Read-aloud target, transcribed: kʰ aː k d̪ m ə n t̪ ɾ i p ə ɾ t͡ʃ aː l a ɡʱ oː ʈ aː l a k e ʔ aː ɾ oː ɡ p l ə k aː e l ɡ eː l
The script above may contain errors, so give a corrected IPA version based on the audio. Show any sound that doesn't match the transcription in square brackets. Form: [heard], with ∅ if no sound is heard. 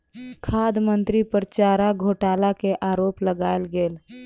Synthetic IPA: kʰ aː [∅] d̪ m ə n t̪ ɾ i p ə ɾ t͡ʃ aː [ɾ] a ɡʱ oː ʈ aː l a k e ʔ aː ɾ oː [∅] p l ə [ɡ] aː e l ɡ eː l